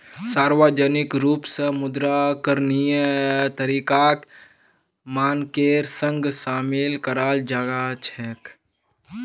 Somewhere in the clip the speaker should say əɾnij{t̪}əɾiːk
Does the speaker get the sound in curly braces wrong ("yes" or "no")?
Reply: no